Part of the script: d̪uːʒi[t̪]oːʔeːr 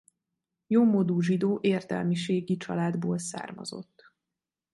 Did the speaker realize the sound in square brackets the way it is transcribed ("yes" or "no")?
no